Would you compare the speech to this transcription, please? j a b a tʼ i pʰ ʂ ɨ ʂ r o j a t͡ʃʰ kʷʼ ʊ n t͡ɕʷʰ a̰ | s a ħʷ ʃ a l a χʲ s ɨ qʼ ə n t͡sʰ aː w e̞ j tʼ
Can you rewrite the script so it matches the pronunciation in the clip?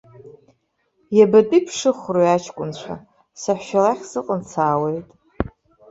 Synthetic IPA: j a b a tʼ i pʰ ʂ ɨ χ r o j a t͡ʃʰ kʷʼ ʊ n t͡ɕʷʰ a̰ | s a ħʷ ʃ a l a χʲ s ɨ qʼ ə n t͡sʰ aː w e̞ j tʼ